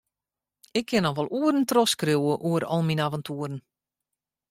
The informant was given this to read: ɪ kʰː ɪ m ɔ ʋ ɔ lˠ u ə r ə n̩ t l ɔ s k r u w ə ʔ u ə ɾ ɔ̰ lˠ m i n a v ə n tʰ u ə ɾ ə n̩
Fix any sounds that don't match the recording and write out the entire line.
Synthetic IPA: ɪ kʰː ɪ n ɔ ʋ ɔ lˠ u ə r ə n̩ t r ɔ s k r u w ə ʔ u ə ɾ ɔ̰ lˠ m i n a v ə n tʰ u ə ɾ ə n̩